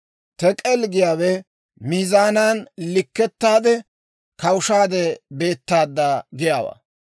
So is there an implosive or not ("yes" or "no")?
no